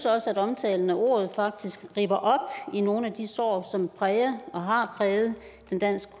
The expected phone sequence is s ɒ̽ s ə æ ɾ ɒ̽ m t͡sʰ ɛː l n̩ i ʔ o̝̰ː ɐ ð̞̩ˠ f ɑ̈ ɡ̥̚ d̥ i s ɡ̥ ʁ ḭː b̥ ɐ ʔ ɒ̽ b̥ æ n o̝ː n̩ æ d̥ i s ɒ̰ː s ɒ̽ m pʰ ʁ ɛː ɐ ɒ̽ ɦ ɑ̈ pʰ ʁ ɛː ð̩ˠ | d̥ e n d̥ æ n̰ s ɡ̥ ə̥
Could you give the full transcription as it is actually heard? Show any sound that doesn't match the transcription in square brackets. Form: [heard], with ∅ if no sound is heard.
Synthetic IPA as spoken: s ɒ̽ s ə æ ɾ ɒ̽ m t͡sʰ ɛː l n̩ [æ] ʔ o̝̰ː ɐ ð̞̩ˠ f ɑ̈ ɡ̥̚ d̥ i s ɡ̥ ʁ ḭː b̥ ɐ ʔ ɒ̽ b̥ [i] n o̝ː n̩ æ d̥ i s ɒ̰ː s ɒ̽ m pʰ ʁ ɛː ɐ ɒ̽ ɦ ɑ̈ pʰ ʁ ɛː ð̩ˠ | d̥ e n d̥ æ n̰ s ɡ̥ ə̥